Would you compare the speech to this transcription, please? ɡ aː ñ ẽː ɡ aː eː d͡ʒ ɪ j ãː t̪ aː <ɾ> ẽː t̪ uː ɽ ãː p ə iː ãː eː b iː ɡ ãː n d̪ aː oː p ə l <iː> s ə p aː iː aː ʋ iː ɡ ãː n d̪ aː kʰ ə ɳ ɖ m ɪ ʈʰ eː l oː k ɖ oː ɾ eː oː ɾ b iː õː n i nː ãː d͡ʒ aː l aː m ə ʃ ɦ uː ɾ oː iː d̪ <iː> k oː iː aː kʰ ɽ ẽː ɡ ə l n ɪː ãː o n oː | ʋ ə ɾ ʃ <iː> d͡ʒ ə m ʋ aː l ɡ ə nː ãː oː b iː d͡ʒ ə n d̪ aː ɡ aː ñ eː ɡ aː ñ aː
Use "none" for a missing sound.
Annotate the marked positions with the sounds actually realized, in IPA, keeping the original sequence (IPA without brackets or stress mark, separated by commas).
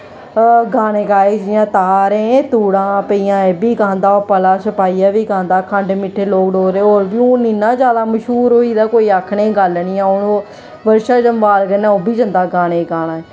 ɾ, aː, aː, aː